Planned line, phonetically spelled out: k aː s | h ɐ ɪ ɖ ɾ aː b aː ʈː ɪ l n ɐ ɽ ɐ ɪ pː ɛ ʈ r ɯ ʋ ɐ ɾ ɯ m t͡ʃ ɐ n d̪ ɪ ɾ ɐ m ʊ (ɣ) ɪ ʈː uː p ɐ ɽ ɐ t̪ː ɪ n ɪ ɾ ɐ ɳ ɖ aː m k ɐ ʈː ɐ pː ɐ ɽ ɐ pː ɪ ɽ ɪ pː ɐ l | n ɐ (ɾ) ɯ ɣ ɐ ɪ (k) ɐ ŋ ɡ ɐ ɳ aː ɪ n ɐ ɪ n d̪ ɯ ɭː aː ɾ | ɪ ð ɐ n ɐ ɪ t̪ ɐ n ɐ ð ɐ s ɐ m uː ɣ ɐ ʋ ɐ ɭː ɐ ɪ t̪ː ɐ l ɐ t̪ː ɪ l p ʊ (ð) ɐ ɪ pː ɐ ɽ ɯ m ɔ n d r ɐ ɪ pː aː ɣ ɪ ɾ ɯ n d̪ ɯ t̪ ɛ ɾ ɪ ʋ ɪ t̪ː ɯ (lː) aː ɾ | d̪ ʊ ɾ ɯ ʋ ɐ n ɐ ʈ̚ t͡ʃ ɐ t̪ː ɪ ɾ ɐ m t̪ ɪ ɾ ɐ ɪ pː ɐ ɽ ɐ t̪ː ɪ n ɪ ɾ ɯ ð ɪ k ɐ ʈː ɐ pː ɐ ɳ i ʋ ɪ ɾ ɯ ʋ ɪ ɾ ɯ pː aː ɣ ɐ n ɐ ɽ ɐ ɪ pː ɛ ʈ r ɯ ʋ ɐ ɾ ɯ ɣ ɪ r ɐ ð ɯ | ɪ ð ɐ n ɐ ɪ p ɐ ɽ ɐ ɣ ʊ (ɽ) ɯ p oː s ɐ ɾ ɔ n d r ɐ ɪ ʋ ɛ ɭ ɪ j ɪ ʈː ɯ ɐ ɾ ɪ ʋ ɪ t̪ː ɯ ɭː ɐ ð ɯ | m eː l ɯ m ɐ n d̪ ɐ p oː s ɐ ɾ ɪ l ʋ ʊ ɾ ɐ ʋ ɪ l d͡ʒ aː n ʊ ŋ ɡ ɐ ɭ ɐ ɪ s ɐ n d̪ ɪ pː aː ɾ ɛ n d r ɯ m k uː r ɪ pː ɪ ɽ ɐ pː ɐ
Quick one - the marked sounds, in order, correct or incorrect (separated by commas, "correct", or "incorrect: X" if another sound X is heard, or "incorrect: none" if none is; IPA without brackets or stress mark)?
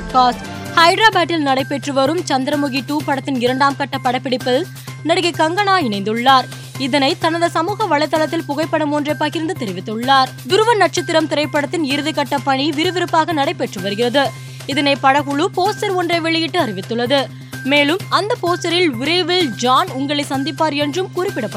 correct, incorrect: ɽ, correct, incorrect: ɣ, incorrect: ɭː, incorrect: ɭ